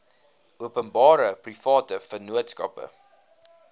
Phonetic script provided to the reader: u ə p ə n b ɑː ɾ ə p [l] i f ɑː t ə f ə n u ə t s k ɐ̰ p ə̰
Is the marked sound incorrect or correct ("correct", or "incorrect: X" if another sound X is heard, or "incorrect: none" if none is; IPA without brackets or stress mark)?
incorrect: r